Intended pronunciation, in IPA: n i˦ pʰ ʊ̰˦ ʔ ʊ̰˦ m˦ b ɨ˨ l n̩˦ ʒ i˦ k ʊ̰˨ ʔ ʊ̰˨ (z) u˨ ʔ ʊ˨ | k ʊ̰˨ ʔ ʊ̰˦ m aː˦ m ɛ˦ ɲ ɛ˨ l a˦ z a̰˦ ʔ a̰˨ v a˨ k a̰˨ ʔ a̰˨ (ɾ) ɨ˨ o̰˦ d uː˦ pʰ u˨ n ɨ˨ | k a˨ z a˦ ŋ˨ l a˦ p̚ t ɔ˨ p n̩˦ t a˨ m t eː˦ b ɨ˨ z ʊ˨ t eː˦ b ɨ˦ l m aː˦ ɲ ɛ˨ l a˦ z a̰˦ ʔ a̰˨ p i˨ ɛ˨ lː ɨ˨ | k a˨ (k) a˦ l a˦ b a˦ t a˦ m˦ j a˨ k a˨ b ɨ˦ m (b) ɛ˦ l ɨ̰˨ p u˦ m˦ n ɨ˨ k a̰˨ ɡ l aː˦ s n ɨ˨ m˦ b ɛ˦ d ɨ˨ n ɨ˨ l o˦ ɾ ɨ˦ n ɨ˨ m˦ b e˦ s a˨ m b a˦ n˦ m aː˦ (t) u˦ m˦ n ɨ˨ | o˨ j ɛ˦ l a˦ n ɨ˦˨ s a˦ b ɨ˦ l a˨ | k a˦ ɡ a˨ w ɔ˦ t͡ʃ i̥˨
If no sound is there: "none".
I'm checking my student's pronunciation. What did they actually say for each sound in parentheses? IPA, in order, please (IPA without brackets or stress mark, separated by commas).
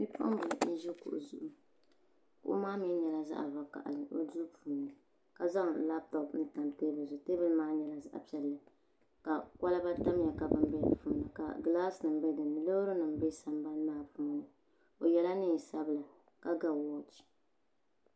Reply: z, l, k, b, p